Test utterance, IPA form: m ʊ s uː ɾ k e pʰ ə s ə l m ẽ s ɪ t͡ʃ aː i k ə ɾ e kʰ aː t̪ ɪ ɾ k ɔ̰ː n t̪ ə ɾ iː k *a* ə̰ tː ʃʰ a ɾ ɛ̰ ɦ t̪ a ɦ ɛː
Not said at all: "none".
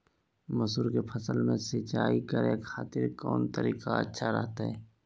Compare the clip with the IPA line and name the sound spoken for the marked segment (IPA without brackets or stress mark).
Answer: a